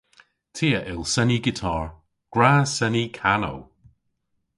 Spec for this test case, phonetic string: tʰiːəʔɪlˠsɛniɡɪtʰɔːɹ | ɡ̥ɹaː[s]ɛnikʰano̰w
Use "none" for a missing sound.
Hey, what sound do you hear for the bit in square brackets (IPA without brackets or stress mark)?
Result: s